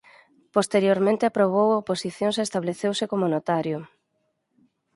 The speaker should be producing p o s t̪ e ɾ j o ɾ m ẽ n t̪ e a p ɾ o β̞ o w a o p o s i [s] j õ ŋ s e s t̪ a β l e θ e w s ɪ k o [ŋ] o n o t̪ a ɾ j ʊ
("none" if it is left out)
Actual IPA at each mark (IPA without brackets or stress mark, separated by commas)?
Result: θ, m